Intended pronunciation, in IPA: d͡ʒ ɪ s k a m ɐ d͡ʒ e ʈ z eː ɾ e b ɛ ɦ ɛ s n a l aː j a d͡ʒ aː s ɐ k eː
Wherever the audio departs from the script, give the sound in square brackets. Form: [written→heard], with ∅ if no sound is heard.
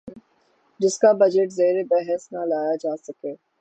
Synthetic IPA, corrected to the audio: d͡ʒ ɪ s k a [m→b] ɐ d͡ʒ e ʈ z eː ɾ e b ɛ ɦ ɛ s n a l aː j a d͡ʒ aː s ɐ k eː